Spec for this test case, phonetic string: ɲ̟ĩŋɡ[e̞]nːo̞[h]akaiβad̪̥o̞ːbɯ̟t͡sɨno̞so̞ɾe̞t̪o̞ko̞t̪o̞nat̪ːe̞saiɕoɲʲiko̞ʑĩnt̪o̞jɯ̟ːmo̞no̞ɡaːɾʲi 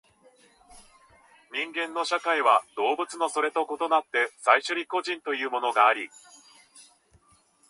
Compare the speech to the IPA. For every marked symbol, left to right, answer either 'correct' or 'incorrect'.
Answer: incorrect: ẽ̞, incorrect: ɕ

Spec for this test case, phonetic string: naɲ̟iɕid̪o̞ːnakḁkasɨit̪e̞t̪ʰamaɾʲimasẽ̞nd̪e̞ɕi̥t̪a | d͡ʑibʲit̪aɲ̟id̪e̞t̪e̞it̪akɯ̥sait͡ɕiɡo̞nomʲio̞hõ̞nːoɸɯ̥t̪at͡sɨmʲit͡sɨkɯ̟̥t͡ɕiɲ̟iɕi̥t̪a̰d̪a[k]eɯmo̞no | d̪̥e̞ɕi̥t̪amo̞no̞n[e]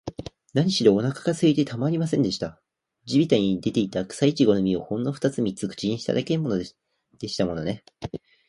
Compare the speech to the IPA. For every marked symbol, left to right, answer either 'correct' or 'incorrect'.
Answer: correct, correct

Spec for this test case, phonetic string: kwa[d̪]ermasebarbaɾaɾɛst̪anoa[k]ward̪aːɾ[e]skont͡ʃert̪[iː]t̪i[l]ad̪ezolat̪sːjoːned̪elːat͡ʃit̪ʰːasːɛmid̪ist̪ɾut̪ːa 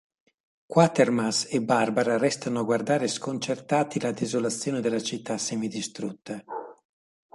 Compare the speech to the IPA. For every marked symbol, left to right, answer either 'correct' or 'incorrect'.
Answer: incorrect: t̪, incorrect: ɡ, correct, incorrect: aː, correct

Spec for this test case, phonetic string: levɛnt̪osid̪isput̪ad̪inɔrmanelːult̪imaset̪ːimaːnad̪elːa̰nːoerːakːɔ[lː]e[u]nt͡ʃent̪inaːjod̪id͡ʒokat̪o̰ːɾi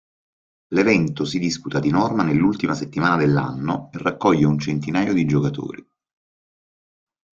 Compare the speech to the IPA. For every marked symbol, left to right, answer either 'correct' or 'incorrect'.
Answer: incorrect: ʎː, correct

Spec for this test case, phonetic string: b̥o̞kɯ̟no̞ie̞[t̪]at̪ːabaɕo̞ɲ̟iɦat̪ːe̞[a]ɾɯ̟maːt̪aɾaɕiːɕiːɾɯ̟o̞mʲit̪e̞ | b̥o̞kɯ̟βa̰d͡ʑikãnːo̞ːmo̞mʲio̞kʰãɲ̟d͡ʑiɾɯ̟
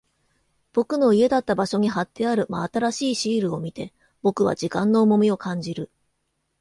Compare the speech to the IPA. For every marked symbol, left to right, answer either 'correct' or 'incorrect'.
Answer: incorrect: d̪, correct

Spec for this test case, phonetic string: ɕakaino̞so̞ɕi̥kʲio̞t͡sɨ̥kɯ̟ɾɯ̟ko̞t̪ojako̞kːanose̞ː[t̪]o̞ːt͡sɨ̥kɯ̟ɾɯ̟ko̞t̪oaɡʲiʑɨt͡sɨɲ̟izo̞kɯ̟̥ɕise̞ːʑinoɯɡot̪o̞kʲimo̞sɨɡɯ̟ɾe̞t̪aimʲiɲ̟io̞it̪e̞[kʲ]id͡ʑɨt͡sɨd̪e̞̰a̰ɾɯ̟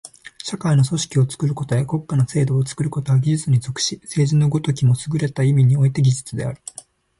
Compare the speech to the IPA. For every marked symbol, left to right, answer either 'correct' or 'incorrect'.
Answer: incorrect: d̪, incorrect: ɡʲ

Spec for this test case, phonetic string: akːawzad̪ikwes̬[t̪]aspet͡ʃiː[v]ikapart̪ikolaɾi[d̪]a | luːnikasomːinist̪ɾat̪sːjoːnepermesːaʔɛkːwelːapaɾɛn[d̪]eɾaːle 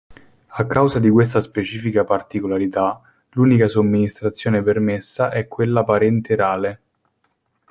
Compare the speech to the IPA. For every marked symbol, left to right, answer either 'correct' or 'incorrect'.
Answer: correct, incorrect: f, incorrect: t̪, incorrect: t̪

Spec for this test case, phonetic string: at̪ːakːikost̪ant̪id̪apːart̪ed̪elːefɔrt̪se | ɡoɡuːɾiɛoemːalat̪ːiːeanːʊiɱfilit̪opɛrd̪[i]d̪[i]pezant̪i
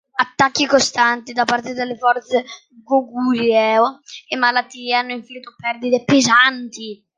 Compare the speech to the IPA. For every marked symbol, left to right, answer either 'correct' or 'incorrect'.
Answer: correct, incorrect: e

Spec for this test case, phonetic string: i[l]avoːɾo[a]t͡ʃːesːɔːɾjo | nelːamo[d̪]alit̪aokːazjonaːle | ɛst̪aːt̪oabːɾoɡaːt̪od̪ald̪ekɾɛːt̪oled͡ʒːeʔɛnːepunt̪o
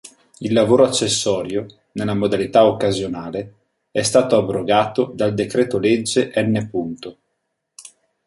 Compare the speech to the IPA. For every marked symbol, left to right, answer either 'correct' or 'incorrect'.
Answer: incorrect: lː, correct, correct

